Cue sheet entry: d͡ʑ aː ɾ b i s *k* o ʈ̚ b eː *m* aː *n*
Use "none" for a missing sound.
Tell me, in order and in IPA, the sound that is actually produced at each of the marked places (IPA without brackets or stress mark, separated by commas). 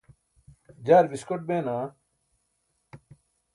k, n, none